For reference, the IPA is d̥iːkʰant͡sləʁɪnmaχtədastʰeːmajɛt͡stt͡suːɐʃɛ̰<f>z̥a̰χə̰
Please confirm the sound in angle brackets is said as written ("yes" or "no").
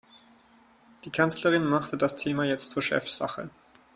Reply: yes